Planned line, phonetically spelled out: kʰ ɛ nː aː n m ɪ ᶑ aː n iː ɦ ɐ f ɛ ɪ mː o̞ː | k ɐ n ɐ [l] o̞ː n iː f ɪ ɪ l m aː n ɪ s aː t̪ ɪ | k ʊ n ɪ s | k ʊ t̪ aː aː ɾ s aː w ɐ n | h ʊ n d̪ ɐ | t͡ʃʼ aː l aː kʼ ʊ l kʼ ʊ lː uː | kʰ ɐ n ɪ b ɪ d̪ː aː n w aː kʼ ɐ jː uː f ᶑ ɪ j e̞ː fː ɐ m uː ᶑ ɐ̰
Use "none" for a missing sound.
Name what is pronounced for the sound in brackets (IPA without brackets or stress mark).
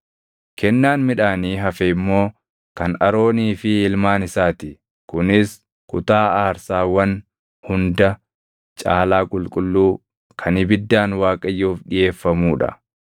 ɾ